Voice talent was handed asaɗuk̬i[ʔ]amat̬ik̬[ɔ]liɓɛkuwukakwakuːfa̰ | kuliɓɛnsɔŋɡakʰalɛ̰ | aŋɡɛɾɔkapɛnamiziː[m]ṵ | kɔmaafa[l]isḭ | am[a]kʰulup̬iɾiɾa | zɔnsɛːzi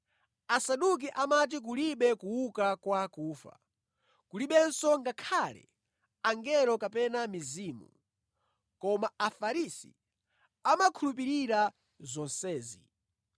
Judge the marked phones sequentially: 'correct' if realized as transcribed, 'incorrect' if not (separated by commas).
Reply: correct, incorrect, correct, incorrect, correct